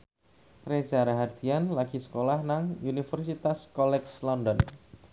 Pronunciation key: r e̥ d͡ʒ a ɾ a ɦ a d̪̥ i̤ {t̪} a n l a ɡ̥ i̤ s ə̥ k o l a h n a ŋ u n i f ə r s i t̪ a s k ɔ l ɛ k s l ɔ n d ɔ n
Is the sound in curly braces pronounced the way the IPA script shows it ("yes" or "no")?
no